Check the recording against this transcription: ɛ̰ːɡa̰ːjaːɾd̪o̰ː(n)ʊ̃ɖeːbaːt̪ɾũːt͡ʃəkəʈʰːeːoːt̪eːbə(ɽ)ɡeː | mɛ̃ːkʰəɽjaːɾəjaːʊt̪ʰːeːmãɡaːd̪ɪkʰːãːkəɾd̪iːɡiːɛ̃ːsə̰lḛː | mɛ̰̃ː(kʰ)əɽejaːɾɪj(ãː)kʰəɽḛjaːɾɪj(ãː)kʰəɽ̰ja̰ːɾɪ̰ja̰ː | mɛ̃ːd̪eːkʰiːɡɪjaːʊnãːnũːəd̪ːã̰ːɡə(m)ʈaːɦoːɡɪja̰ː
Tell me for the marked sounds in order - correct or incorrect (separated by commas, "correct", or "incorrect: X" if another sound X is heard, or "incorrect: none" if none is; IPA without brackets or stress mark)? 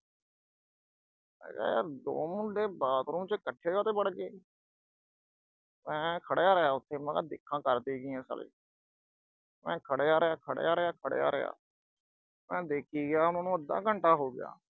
incorrect: m, correct, correct, incorrect: aː, incorrect: aː, incorrect: ɳ